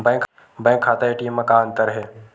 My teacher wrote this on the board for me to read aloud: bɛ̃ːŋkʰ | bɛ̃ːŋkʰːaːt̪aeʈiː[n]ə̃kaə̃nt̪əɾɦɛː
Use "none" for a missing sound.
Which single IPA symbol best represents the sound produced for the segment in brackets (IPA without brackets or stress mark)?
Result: m